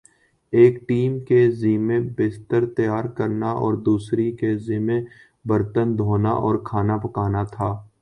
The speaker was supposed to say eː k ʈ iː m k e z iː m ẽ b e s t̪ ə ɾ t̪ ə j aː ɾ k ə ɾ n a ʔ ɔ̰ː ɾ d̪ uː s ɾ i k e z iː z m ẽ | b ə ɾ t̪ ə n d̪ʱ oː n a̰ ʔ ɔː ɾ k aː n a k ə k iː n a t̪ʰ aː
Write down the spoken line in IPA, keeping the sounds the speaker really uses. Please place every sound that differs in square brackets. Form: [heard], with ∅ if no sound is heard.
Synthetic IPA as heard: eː k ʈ iː m k e z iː m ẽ b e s t̪ ə ɾ t̪ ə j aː ɾ k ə ɾ n a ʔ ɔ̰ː ɾ d̪ uː s ɾ i k e z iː [∅] m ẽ | b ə ɾ t̪ ə n d̪ʱ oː n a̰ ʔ ɔː ɾ [kʰ] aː n a [p] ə k [aː] n a t̪ʰ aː

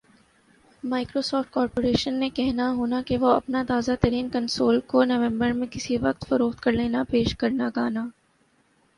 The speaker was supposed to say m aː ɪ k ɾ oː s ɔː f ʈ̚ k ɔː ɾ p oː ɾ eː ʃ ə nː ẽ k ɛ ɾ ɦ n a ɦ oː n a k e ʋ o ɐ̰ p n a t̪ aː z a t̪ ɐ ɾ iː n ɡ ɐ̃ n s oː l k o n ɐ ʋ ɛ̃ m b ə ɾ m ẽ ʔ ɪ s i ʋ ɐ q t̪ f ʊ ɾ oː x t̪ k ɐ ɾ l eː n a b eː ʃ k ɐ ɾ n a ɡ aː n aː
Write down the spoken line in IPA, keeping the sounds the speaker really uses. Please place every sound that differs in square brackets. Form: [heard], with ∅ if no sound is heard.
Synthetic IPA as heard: m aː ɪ k ɾ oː s ɔː f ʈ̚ k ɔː ɾ p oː ɾ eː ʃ ə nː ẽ k ɛ [∅] ɦ n a ɦ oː n a k e ʋ o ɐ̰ p n a t̪ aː z a t̪ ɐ ɾ iː n [k] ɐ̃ n s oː l k o n ɐ ʋ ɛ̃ m b ə ɾ m ẽ [k] ɪ s i ʋ ɐ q t̪ f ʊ ɾ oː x t̪ k ɐ ɾ l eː n a [p] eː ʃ k ɐ ɾ n a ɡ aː n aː

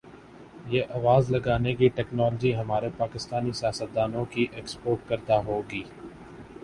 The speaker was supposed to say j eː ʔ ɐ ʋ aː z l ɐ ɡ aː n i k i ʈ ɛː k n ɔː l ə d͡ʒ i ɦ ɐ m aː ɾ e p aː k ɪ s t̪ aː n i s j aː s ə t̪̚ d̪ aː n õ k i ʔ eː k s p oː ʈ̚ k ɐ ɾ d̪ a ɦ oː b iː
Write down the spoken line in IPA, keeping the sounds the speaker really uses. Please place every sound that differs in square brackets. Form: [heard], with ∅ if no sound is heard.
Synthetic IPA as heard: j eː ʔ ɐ ʋ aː z l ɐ ɡ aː n [e] k i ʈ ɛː k n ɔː l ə d͡ʒ i ɦ ɐ m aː ɾ e p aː k ɪ s t̪ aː n i s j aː s ə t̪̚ d̪ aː n õ k i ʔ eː k s p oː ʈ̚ k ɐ ɾ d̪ a ɦ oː [ɡ] iː

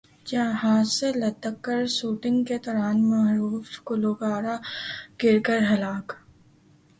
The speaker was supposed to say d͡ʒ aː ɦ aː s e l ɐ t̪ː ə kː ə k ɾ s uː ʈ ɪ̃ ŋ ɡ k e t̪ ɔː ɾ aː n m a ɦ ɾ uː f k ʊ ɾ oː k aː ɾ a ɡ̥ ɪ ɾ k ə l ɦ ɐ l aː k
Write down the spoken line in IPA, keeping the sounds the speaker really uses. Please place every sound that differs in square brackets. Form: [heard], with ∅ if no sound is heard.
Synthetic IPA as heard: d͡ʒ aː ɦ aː s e l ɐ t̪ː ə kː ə [∅] ɾ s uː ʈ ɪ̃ ŋ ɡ k e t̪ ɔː ɾ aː n m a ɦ ɾ uː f k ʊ [l] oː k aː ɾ a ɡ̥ ɪ ɾ k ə [ɾ] ɦ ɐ l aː k

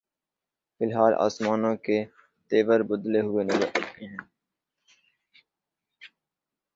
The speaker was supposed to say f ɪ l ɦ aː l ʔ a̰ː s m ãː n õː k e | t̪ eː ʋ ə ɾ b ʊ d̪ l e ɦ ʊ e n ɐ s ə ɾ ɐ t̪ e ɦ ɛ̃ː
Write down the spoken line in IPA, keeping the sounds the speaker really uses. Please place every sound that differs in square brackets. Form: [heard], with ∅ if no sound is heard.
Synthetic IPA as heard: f ɪ l ɦ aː l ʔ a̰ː s m [aː] n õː k e | t̪ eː ʋ ə ɾ b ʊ d̪ l e ɦ ʊ e n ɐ [z] ə ɾ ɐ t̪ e ɦ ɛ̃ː

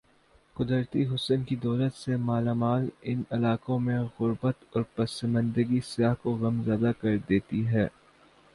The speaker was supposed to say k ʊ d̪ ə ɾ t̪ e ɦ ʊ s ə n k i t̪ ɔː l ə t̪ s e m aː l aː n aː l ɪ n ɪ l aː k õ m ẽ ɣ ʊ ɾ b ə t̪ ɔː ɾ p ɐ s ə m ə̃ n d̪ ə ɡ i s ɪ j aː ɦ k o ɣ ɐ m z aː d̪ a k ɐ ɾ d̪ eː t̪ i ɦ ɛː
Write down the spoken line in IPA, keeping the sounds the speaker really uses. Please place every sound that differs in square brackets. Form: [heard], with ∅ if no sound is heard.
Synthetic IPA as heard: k ʊ d̪ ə ɾ t̪ [i] ɦ ʊ s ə n k i [d̪] ɔː l ə t̪ s e m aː l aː [m] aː l ɪ n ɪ l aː k õ m ẽ ɣ ʊ ɾ b ə t̪ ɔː ɾ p ɐ s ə m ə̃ n d̪ ə ɡ i s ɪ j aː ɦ k o ɣ ɐ m z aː d̪ a k ɐ ɾ d̪ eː t̪ i ɦ ɛː

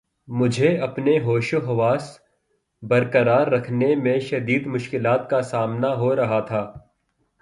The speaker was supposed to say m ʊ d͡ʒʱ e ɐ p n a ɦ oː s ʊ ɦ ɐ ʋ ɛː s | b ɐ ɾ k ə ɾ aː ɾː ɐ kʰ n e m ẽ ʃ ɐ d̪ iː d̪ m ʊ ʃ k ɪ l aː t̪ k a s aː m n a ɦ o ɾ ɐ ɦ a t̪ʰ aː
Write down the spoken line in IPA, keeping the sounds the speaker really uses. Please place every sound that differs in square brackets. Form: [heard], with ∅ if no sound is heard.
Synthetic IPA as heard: m ʊ d͡ʒʱ e ɐ p n [e] ɦ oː [ʃ] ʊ ɦ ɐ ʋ [aː] s | b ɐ ɾ k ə ɾ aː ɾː ɐ kʰ n e m ẽ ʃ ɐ d̪ iː d̪ m ʊ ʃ k ɪ l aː t̪ k a s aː m n a ɦ o ɾ ɐ ɦ a t̪ʰ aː

